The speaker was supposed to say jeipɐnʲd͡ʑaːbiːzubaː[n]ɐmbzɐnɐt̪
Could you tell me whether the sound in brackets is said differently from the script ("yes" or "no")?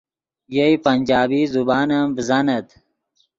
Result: no